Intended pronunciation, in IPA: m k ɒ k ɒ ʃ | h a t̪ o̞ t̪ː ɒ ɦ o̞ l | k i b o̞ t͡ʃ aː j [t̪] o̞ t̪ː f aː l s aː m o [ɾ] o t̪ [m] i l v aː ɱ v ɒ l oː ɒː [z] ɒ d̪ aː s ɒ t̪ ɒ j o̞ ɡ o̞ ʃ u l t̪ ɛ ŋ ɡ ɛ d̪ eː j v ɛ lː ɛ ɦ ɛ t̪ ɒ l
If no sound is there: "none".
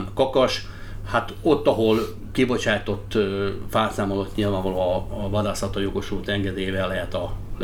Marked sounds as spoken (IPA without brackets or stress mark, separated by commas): t̪, l, ɲ, v